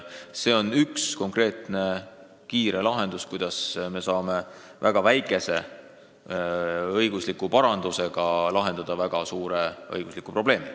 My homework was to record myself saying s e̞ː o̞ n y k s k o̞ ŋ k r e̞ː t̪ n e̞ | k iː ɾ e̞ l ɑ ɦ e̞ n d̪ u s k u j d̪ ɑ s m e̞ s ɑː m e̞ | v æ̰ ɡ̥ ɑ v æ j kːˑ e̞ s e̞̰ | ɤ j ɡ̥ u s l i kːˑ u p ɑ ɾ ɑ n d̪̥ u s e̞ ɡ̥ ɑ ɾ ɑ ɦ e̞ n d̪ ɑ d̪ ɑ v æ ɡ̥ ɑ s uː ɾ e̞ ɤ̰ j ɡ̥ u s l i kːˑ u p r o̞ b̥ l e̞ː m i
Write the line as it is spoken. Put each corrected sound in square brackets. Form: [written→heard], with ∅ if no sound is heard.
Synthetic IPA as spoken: s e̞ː o̞ n y k s k o̞ ŋ k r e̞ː t̪ n e̞ | k iː ɾ e̞ l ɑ ɦ e̞ n d̪ u s k u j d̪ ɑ s m e̞ s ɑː m e̞ | v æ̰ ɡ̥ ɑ v æ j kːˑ e̞ s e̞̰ | ɤ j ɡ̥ u s l i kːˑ u p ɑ ɾ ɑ n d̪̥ u s e̞ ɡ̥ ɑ [ɾ→l] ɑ ɦ e̞ n d̪ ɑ d̪ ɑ v æ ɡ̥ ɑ s uː ɾ e̞ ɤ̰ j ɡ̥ u s l i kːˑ u p r o̞ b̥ l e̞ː m i